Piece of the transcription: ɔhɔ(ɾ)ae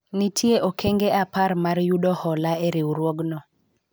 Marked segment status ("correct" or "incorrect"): incorrect